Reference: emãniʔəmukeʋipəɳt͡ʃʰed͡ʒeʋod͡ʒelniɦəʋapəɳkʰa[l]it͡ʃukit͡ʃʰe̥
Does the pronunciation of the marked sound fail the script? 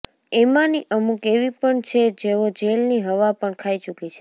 yes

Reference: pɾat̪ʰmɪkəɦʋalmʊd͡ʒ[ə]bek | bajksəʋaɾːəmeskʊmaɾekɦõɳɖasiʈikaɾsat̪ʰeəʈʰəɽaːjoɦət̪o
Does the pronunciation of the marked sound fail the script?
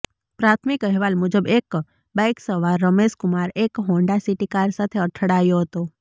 no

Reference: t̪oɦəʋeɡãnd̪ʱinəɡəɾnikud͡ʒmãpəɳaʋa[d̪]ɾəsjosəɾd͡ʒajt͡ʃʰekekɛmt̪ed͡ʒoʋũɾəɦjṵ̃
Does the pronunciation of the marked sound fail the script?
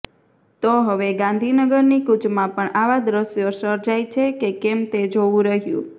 no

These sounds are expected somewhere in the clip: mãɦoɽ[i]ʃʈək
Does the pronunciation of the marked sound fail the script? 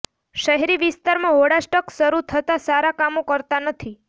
yes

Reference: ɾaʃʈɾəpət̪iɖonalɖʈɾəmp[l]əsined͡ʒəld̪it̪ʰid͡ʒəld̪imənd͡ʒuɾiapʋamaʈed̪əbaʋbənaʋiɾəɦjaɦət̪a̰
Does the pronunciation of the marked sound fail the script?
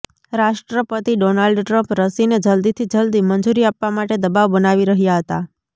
yes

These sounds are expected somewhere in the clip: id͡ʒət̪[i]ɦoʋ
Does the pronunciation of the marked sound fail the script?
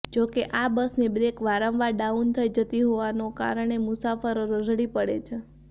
no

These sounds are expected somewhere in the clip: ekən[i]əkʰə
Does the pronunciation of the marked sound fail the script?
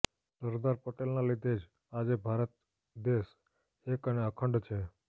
yes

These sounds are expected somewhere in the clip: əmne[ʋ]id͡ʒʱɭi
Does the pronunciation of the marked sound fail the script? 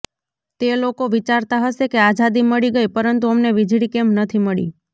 no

